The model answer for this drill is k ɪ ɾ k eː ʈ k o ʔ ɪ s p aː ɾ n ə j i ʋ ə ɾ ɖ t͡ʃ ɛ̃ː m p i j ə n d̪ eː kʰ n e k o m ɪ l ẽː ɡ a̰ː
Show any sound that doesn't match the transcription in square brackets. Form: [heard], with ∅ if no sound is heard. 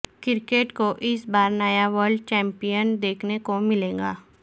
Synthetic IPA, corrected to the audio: k ɪ ɾ k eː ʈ k o ʔ ɪ s [b] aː ɾ n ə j [a] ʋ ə ɾ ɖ t͡ʃ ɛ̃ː m p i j ə n d̪ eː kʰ n e k o m ɪ l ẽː ɡ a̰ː